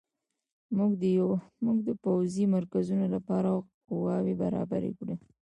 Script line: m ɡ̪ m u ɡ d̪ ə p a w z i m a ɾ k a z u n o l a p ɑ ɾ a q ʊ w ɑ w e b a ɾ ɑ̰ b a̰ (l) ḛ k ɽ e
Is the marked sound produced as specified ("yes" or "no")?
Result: no